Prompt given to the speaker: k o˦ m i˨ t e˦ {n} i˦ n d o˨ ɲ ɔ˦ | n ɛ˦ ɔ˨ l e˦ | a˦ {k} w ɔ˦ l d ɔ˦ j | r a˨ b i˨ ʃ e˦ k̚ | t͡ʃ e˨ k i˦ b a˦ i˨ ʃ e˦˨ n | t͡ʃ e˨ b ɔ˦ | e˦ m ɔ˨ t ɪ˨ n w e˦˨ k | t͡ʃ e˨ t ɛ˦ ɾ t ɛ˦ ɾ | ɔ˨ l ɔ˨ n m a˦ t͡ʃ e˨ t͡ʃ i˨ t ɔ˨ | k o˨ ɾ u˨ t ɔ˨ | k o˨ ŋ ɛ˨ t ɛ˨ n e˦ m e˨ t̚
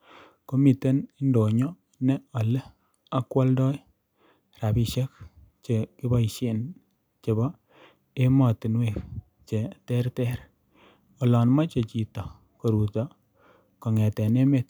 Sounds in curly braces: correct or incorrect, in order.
correct, correct

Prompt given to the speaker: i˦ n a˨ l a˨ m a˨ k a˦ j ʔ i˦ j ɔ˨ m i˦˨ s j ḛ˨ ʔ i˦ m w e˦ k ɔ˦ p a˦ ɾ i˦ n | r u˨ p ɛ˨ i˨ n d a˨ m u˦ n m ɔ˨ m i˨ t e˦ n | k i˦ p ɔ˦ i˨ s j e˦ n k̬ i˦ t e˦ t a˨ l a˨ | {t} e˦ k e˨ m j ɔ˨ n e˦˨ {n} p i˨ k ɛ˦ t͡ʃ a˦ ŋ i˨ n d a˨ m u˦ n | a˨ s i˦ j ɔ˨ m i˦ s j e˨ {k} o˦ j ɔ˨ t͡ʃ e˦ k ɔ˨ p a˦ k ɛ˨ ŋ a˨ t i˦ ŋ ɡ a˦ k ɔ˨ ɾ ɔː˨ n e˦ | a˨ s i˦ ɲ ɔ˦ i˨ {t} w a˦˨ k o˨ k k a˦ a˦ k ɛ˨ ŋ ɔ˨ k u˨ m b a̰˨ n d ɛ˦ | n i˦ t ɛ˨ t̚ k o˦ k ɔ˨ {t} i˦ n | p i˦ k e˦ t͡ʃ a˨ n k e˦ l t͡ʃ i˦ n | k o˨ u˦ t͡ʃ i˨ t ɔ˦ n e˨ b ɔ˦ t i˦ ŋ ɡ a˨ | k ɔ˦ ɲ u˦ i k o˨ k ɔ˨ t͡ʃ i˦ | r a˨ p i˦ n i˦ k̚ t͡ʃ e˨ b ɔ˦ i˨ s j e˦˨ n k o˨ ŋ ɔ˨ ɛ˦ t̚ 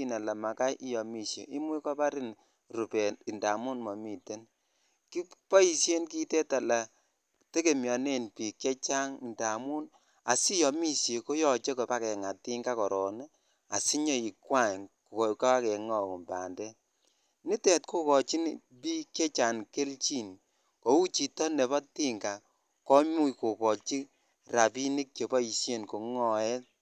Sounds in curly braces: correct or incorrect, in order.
correct, correct, correct, incorrect: k, incorrect: t͡ʃ

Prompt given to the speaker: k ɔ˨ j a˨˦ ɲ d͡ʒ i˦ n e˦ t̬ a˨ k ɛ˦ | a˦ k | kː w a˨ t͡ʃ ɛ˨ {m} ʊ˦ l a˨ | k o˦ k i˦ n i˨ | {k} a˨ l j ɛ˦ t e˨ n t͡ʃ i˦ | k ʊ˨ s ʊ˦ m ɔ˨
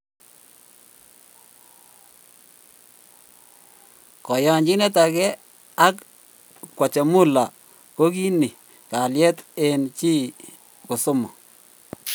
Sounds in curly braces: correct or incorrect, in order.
correct, correct

